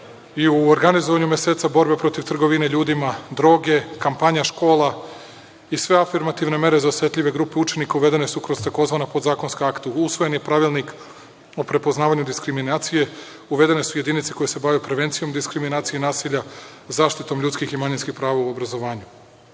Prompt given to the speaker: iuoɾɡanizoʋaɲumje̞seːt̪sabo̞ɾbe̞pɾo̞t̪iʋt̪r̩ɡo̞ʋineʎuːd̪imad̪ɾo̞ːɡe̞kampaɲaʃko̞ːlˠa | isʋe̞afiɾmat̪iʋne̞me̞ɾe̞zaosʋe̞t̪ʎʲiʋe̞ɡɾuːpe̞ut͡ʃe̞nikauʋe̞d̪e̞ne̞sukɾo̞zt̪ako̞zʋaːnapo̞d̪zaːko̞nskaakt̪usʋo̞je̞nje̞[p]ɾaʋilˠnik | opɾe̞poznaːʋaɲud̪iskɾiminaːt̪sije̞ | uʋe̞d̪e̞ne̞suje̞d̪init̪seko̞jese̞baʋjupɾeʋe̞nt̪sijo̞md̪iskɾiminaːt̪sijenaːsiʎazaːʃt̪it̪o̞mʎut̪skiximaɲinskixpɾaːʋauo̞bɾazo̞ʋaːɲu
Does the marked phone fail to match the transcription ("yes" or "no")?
no